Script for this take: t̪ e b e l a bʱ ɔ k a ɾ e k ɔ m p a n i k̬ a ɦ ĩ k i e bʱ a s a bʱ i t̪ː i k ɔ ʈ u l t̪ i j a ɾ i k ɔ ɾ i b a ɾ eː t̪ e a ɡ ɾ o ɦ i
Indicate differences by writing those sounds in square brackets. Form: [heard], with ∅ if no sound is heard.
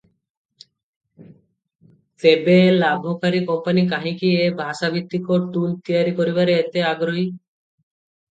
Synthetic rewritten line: t̪ e b e l a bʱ ɔ k a ɾ [i] k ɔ m p a n i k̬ a ɦ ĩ k i e bʱ a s a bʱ i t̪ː i k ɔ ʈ u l t̪ i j a ɾ i k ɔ ɾ i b a ɾ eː t̪ e a ɡ ɾ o ɦ i